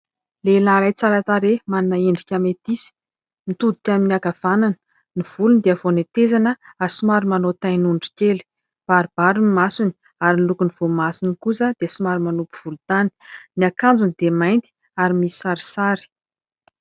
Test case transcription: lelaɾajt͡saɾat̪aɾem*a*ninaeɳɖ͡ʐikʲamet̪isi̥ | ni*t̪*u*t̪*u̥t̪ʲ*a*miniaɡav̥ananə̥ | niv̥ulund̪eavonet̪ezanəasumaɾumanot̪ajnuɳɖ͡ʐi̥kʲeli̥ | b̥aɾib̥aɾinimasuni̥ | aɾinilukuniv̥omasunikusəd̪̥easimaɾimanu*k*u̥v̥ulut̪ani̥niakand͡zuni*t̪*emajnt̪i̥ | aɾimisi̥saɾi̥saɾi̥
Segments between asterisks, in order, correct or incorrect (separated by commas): correct, correct, incorrect, correct, incorrect, incorrect